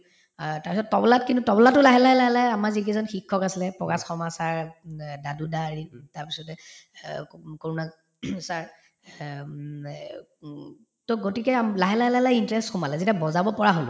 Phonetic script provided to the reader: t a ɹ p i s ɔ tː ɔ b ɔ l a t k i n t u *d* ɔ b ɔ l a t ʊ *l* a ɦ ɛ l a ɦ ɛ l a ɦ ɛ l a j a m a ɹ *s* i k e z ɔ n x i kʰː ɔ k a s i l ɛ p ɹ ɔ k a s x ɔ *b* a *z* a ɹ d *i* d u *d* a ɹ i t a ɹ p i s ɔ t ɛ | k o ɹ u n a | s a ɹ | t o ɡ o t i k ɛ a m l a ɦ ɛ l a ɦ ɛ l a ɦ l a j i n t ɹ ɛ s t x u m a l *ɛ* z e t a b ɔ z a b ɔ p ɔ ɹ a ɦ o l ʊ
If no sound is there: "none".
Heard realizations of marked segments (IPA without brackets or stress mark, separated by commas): t, l, z, m, s, a, d, ɛ